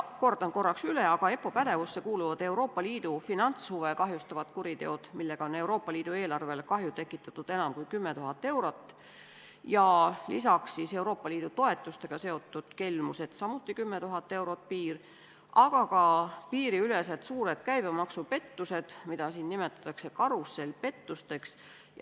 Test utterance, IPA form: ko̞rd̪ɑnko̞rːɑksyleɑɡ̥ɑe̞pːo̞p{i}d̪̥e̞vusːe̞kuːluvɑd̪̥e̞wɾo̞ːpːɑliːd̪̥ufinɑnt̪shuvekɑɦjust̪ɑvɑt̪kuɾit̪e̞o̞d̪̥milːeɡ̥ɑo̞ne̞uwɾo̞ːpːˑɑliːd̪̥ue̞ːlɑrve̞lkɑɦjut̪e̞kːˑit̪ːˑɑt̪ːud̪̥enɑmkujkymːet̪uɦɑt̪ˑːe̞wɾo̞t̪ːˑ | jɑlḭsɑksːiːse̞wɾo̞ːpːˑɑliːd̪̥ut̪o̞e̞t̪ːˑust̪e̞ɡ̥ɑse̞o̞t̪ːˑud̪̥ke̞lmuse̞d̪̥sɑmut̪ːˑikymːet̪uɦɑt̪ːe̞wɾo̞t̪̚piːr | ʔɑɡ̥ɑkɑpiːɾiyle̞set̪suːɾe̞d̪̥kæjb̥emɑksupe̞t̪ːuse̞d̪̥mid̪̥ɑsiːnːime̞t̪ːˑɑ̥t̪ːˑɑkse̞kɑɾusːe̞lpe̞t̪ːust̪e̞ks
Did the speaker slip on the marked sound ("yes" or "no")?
yes